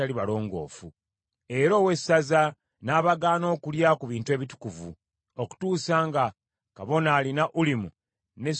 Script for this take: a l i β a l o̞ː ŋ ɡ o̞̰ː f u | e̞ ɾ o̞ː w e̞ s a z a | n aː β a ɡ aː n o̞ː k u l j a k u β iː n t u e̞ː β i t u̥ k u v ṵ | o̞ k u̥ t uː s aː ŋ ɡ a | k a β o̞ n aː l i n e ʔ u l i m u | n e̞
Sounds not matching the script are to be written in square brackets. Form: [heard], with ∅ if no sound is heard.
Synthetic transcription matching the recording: a l i β a l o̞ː ŋ ɡ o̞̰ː f u | e̞ ɾ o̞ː w e̞ s a z a | n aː β a ɡ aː n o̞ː k u l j a k u β iː n t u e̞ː β i t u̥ k u v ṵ | o̞ k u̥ t uː s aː ŋ ɡ a | k a β o̞ n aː l i n [a] ʔ u l i m u | n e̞